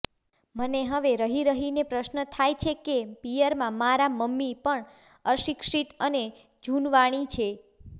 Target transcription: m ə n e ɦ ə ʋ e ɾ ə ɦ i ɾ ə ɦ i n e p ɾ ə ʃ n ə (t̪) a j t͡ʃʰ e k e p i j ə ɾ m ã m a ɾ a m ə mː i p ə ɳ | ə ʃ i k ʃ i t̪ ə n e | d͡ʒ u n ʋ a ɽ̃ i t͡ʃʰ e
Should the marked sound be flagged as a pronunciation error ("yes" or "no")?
yes